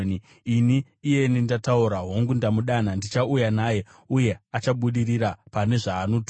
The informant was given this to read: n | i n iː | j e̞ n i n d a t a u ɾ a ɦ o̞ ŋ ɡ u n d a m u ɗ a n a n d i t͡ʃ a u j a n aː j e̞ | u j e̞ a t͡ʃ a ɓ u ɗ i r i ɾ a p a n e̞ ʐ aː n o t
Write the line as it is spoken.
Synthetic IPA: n | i n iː | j e̞ n i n d a t a u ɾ a ɦ o̞ ŋ ɡ u n d a m u ɗ a n a n d i t͡ʃ a u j a n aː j e̞ | u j e̞ a t͡ʃ a ɓ u ɗ i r i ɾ a p a n e̞ ʐ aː n o t